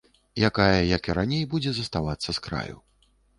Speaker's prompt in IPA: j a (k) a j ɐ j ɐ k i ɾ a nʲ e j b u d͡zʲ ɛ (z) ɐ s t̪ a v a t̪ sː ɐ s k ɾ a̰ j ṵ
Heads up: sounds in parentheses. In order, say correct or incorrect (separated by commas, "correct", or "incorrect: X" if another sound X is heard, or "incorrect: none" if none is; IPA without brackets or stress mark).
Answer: correct, correct